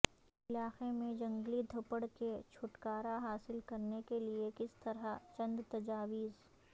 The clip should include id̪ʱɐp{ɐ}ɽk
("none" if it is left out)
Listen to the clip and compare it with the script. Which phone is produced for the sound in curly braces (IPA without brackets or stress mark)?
ə